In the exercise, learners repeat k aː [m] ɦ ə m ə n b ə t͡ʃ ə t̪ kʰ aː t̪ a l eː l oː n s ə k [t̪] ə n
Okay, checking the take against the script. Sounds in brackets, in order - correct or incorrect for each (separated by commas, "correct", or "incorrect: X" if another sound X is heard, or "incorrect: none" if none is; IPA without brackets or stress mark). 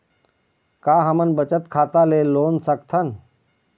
incorrect: none, incorrect: t̪ʰ